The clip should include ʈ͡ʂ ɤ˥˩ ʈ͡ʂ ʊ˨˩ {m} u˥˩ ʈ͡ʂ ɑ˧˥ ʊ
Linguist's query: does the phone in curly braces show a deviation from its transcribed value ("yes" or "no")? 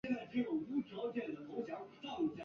yes